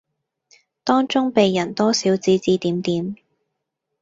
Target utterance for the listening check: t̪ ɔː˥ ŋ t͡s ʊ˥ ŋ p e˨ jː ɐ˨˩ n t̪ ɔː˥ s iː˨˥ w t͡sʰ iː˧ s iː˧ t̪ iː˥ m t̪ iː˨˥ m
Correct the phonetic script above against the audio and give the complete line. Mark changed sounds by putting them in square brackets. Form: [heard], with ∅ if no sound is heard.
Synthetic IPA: t̪ ɔː˥ ŋ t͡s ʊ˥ ŋ p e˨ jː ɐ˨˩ n t̪ ɔː˥ s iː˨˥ w [t͡s] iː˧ [t͡s] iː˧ t̪ [iː˨˥] m t̪ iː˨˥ m